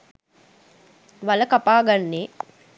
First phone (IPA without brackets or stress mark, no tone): ʋ